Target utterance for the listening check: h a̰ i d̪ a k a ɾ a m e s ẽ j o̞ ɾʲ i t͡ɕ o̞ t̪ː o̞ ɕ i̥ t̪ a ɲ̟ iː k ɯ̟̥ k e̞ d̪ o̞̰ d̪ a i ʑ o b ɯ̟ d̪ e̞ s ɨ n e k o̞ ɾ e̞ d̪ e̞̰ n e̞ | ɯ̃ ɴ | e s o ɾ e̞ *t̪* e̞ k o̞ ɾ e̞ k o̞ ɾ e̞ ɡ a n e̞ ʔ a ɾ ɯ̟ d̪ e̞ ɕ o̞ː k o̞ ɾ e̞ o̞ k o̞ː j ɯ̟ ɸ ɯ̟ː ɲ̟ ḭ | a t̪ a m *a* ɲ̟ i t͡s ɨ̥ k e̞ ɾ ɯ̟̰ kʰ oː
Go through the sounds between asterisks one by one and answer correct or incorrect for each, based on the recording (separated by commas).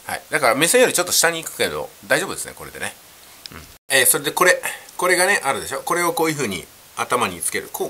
incorrect, correct